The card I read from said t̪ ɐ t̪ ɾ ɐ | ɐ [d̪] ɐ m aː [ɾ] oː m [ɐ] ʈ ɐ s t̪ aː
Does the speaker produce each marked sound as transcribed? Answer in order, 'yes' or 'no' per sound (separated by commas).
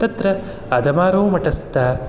yes, yes, yes